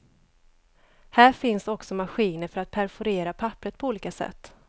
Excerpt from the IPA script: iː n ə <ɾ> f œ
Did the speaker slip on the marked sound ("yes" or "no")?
no